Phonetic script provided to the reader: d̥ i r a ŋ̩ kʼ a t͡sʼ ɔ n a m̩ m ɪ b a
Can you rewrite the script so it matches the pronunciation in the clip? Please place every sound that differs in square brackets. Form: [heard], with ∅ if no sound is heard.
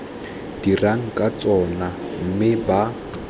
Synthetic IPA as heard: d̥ i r a ŋ̩ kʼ a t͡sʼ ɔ n a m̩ m ɪ b a